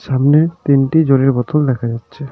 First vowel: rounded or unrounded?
unrounded